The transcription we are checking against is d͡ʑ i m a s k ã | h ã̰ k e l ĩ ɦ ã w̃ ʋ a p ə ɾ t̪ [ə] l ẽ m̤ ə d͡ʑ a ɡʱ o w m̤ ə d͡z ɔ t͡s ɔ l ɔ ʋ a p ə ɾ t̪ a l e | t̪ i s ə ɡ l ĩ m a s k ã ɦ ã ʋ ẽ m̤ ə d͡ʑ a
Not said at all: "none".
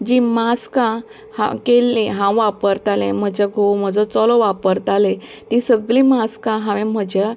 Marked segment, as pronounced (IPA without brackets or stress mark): a